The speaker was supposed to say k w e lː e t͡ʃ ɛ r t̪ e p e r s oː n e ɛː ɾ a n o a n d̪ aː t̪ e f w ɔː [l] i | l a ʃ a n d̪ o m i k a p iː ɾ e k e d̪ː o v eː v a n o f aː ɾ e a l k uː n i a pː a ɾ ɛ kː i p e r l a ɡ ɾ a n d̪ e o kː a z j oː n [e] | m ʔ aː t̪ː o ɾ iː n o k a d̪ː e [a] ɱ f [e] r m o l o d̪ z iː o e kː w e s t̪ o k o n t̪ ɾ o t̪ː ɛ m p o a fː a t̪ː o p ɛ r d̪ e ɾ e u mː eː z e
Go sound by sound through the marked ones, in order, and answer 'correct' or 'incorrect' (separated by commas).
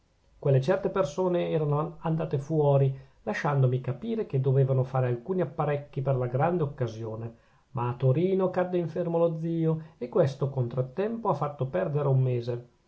incorrect, correct, incorrect, correct